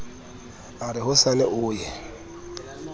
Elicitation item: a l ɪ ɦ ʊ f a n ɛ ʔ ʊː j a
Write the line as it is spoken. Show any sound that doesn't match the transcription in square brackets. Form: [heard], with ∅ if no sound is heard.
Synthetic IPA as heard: a [ɾ] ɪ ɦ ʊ [s] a n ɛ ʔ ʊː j [ɛ]